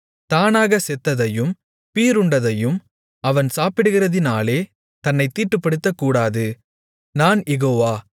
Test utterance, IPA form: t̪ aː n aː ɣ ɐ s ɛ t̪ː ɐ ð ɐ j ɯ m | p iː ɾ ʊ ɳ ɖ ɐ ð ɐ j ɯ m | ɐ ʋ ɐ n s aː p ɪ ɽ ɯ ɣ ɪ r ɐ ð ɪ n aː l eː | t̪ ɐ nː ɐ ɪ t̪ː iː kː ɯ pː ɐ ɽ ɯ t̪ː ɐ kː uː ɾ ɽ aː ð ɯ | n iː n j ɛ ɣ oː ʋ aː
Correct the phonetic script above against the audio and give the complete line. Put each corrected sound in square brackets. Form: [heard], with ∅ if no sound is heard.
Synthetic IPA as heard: t̪ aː n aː ɣ ɐ s ɛ t̪ː ɐ ð ɐ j ɯ m | p iː ɾ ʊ ɳ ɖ ɐ ð ɐ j ɯ m | ɐ ʋ ɐ n s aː p ɪ ɽ ɯ ɣ ɪ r ɐ ð ɪ n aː l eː | t̪ ɐ nː ɐ ɪ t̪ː iː [ʈː] ɯ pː ɐ ɽ ɯ t̪ː ɐ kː uː [∅] ɽ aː ð ɯ | n [aː] n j ɛ ɣ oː ʋ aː